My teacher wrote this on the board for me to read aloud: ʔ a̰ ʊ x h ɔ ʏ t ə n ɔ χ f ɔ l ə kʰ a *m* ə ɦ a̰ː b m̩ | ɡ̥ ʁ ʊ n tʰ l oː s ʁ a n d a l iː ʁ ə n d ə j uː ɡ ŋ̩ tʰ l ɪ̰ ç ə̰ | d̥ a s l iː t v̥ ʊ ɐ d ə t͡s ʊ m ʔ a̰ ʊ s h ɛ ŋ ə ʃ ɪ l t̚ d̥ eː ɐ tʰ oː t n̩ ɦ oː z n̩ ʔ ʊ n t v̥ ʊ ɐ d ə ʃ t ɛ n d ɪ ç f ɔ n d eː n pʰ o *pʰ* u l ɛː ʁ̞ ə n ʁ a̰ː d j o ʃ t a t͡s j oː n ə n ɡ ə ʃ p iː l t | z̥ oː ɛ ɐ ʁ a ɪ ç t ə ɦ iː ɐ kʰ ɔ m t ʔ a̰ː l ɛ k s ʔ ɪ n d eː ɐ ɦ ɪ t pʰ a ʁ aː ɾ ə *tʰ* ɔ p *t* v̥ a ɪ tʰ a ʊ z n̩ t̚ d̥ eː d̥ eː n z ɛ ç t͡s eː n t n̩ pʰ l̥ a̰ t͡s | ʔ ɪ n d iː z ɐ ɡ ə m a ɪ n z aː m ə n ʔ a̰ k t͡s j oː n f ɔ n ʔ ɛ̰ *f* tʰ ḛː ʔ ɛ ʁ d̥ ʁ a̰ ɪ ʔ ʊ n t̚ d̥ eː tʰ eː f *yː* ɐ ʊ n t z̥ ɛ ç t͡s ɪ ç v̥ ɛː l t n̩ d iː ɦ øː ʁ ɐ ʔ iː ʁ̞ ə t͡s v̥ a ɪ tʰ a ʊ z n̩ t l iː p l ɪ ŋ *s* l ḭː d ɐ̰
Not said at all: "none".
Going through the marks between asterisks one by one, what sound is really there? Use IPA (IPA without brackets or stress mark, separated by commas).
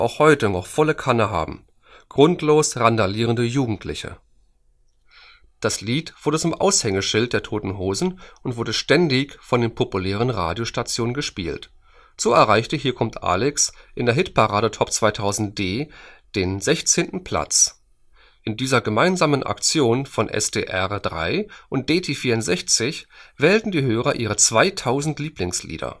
n, p, tʰ, t͡s, s, iː, s